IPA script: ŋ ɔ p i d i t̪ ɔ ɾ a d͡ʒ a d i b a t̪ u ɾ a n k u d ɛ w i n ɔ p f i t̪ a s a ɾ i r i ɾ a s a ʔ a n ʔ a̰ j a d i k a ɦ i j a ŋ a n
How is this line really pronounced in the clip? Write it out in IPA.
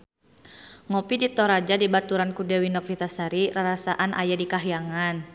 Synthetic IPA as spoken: ŋ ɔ p i d i t̪ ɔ ɾ a d͡ʒ a d i b a t̪ u ɾ a n k u d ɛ w i n ɔ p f i t̪ a s a ɾ i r a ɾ a s a ʔ a n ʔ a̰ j a d i k a ɦ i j a ŋ a n